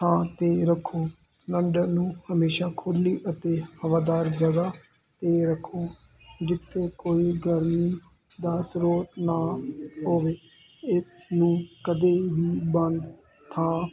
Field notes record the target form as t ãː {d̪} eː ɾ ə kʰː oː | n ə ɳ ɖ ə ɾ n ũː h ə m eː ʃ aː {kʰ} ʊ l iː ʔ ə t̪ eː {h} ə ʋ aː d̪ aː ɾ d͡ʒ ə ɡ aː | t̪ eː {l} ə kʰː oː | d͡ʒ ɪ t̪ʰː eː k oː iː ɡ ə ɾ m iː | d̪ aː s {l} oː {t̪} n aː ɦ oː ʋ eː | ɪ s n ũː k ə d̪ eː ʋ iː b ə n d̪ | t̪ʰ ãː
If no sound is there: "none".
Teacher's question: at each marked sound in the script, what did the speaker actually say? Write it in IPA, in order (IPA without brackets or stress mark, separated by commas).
t̪, kʰ, h, ɾ, ɾ, t̪